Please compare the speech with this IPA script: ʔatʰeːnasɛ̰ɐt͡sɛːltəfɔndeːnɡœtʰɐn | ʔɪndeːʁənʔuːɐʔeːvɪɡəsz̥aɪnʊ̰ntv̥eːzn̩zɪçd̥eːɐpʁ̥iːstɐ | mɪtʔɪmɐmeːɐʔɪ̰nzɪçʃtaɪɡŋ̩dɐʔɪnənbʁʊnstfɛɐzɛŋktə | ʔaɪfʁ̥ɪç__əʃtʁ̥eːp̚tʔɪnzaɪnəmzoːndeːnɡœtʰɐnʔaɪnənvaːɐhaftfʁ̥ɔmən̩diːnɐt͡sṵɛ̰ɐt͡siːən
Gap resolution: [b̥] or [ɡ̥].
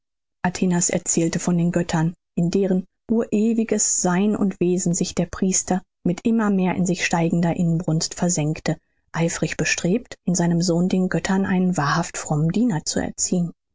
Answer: b̥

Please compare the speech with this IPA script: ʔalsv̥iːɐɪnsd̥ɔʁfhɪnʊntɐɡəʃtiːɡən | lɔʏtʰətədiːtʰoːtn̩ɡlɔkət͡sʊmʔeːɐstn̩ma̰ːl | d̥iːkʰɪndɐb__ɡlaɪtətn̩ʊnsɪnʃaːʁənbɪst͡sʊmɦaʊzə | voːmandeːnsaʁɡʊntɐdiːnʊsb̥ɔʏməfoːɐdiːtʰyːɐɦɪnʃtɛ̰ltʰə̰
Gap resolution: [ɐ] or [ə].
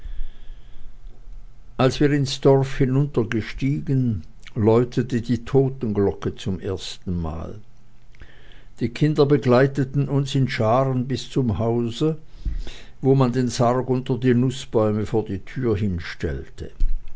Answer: ə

